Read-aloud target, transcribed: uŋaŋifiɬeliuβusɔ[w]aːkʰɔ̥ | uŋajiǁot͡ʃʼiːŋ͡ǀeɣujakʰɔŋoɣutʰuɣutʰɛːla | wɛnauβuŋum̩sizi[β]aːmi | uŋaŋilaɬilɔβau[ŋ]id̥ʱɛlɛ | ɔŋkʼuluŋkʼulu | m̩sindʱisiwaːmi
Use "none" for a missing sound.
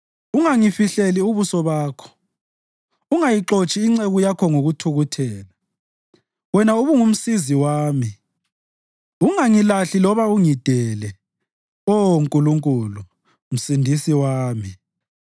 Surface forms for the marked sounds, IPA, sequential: β, w, ŋ

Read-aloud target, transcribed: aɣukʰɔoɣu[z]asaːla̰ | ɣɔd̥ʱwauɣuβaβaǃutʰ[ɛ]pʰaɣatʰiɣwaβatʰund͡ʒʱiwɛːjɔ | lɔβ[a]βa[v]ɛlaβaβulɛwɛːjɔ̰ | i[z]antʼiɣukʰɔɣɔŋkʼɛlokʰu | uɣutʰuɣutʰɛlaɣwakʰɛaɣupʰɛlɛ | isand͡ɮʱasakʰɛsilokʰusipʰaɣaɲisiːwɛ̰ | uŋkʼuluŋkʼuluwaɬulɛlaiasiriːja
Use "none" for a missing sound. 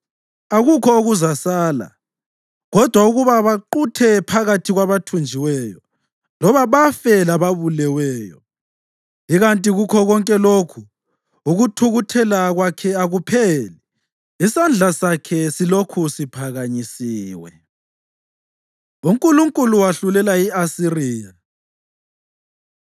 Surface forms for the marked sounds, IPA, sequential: z, ɛ, a, f, ɣ

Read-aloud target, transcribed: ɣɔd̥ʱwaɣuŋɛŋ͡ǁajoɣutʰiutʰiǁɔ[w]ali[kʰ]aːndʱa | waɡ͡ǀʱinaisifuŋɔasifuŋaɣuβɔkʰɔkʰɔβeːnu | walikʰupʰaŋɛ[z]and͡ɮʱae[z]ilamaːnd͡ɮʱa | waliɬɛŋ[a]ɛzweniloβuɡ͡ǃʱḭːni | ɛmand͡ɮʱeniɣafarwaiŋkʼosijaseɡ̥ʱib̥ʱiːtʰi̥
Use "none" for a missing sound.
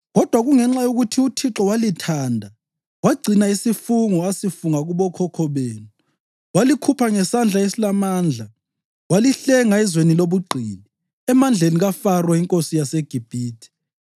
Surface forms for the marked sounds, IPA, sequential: w, tʰ, s, s, a

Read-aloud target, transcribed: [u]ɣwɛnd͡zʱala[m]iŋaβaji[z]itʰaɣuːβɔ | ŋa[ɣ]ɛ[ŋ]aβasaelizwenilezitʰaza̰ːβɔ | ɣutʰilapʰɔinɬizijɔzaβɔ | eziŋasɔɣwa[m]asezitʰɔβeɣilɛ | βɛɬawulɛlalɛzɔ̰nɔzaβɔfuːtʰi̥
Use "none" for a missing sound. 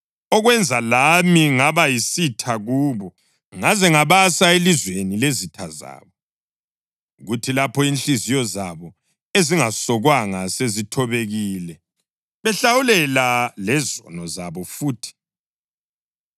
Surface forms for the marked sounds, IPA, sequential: ɔ, m, s, z, ŋ, ŋ

